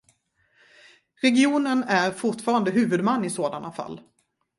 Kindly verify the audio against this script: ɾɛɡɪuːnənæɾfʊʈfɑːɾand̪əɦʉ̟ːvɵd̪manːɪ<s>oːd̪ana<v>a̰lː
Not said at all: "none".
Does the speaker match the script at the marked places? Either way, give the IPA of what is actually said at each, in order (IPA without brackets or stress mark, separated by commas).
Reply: s, f